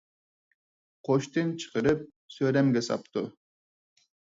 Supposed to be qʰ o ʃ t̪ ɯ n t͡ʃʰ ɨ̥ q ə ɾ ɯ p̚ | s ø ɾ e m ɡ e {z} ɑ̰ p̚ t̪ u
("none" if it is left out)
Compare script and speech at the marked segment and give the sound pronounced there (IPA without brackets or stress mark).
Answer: s